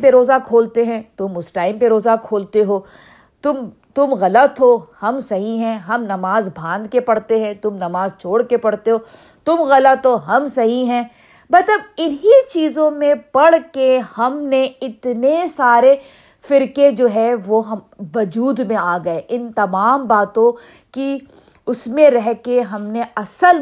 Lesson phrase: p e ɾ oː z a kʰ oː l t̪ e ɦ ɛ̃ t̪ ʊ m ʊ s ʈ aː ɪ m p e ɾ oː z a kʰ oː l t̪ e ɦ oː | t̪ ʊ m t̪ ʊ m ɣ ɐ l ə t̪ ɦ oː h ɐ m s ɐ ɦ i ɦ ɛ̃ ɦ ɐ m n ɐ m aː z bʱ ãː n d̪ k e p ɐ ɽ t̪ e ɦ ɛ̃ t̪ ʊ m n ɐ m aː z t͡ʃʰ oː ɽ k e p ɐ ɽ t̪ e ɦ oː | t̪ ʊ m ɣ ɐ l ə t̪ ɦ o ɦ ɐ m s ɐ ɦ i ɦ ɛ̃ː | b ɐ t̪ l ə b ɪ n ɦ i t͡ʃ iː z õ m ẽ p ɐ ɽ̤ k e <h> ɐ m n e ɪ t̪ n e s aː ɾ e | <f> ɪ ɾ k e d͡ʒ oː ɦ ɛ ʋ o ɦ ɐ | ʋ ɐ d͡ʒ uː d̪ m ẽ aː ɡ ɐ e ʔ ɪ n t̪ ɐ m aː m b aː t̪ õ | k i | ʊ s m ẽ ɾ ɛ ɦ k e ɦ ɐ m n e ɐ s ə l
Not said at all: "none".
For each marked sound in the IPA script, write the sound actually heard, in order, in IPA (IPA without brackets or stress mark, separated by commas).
h, f